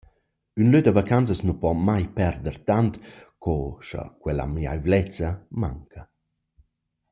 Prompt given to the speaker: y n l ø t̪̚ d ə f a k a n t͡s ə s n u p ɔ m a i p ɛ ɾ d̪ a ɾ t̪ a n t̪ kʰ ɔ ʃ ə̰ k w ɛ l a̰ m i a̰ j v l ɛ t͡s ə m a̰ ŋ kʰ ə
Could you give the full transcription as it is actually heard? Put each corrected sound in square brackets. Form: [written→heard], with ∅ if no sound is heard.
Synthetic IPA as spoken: y n l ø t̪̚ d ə [f→v] a k a n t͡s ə s n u p ɔ m a [i→j] p ɛ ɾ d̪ [a→ə] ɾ t̪ a n t̪ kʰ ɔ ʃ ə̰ k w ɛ l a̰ m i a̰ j v l ɛ t͡s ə m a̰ ŋ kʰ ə